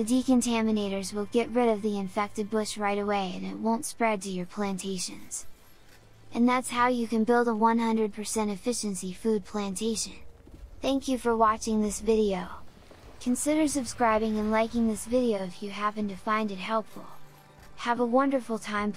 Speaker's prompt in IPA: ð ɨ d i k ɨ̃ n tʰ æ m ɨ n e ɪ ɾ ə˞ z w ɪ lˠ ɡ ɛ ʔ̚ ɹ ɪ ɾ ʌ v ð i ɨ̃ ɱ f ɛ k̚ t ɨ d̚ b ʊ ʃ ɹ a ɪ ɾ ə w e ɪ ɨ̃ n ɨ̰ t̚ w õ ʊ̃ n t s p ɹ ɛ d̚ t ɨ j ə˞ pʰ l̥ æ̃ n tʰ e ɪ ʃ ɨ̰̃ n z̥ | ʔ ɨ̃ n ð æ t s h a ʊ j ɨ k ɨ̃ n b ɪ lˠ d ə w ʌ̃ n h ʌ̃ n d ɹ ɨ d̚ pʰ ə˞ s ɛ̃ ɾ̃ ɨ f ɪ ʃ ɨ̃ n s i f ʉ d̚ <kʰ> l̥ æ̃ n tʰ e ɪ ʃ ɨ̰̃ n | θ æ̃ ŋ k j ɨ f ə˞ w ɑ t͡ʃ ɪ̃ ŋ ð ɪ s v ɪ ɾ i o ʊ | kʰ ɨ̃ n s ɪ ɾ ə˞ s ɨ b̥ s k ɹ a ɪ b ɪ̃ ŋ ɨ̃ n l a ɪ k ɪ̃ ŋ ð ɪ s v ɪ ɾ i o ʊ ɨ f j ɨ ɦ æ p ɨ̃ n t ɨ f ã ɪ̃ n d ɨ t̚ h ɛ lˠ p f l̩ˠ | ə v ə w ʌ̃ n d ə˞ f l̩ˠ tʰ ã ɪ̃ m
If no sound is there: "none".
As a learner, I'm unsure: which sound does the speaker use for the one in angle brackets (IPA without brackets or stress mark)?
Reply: pʰ